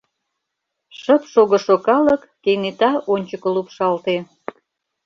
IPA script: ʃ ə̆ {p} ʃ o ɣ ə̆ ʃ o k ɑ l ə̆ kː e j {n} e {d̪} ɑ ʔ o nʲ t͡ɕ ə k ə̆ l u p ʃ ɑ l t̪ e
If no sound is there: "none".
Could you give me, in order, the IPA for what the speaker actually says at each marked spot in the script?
p, n, t̪

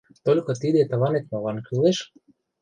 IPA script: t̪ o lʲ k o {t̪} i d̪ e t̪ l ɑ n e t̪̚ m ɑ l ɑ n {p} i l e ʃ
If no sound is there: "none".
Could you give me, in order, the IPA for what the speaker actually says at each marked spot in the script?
t̪, k

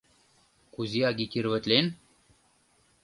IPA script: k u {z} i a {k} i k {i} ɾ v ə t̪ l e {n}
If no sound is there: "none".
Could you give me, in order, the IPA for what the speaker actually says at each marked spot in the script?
z, ɡ, i, n

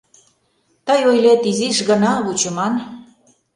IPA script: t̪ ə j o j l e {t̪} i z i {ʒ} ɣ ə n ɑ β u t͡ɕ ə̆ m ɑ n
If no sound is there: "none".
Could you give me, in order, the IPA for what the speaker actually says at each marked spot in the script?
t̪, ʃ

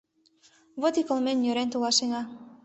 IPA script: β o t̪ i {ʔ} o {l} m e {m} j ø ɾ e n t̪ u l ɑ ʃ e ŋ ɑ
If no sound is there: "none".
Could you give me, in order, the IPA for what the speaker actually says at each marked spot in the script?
k, l, n

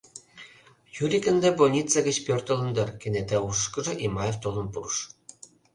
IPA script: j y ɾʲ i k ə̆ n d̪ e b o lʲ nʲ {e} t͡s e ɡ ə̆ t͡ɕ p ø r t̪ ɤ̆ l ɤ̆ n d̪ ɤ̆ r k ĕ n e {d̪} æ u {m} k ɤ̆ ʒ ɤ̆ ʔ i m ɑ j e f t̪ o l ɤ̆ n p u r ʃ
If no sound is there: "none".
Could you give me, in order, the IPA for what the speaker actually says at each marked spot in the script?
i, t̪, none

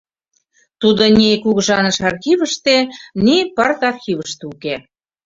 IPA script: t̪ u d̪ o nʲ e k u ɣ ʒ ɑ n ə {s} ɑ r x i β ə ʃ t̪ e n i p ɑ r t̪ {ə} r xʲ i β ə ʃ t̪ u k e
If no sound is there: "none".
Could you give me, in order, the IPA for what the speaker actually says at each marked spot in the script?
ʃ, ɑ

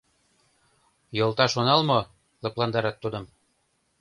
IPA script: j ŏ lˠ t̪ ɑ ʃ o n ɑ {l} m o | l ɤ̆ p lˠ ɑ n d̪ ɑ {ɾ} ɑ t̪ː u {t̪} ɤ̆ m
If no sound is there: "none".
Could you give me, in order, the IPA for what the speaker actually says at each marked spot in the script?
l, ɾ, d̪

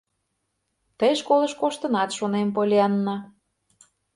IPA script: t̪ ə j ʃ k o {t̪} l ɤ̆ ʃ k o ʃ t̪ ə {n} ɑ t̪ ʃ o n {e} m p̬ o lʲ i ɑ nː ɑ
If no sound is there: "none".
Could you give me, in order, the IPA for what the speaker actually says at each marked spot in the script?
none, n, e

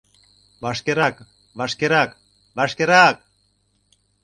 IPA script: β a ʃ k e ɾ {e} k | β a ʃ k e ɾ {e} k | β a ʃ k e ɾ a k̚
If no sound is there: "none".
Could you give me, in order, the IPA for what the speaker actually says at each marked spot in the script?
a, a

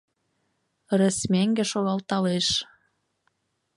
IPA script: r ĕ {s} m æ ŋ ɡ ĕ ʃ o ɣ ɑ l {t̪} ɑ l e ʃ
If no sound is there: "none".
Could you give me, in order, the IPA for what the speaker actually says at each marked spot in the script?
s, t̪

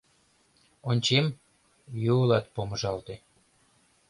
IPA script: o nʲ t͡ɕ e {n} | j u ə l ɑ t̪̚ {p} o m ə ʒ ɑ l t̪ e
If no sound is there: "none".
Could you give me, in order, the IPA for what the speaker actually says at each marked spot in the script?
m, p

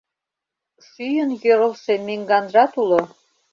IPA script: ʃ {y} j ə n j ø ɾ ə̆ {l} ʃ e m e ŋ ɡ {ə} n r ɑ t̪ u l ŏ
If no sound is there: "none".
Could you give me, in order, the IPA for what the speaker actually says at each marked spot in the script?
y, l, ɑ

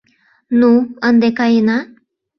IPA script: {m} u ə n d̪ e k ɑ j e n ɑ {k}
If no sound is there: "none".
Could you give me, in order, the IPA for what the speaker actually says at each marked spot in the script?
n, none

